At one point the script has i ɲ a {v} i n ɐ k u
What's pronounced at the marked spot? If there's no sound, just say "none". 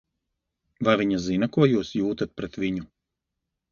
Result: z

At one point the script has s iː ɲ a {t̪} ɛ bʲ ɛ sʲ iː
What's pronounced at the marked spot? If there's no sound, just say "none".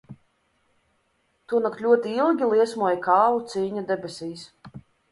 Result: d̪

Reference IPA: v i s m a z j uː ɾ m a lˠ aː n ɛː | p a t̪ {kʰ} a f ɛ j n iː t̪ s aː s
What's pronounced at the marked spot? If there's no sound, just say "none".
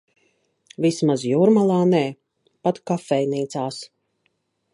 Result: k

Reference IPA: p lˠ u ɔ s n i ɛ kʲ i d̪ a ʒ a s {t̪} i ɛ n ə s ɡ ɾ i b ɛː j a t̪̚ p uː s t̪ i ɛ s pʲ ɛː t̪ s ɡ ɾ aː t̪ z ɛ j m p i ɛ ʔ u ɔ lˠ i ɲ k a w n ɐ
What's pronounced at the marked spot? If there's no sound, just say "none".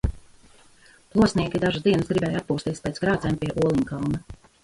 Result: d̪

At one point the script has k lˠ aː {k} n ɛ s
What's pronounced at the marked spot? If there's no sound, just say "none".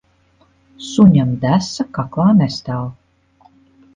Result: none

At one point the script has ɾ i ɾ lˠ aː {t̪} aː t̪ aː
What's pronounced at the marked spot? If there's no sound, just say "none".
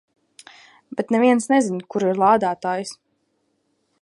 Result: d̪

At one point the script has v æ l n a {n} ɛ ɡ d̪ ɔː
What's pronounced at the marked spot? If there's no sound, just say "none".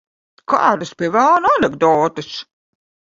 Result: n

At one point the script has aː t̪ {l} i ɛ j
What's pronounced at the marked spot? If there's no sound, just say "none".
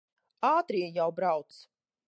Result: ɾ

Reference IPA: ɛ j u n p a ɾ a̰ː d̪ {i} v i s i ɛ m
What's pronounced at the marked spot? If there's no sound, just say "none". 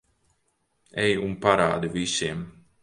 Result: i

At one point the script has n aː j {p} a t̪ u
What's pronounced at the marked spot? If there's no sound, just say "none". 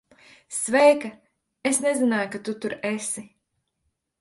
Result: k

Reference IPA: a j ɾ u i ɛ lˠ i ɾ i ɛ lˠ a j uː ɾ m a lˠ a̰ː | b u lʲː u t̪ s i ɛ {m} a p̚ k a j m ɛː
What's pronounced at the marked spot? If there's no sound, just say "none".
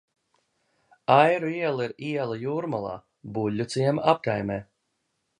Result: m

